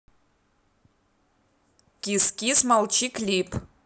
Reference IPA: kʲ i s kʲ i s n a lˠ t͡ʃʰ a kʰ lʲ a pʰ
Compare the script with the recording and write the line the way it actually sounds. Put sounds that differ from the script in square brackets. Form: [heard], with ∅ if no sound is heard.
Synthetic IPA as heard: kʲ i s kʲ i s [m] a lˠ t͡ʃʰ [i] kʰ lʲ [i] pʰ